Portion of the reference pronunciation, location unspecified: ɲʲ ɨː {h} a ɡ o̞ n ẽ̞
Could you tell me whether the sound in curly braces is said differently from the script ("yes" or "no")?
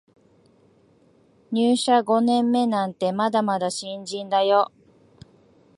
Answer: yes